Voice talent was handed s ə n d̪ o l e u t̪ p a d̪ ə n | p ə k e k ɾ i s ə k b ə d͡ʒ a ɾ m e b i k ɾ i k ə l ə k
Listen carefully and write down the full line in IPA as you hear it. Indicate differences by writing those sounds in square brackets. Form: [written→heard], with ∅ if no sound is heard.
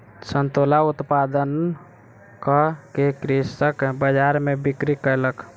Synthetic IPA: s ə n [d̪→t̪] o l [e→a] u t̪ p a d̪ ə n | [p→k] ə k e k ɾ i s ə k b ə d͡ʒ a ɾ m e b i k ɾ i k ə l ə k